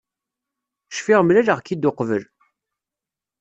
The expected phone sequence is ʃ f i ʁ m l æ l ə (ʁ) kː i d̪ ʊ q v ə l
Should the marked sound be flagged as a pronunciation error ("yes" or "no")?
no